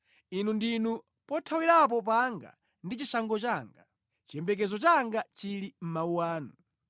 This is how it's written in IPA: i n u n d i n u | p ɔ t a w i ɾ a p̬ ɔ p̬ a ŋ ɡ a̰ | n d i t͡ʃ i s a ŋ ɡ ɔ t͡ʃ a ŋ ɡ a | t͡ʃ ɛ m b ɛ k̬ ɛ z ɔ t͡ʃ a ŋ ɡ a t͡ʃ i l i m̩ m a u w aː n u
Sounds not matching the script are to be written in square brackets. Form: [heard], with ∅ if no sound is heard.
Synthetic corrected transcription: i n u n d i n u | p ɔ [tʰ] a w i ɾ a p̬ ɔ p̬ a ŋ ɡ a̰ | n d i t͡ʃ i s a ŋ ɡ ɔ t͡ʃ a ŋ ɡ a | t͡ʃ ɛ m b ɛ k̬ ɛ z ɔ t͡ʃ a ŋ ɡ a t͡ʃ i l i m̩ m a u w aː n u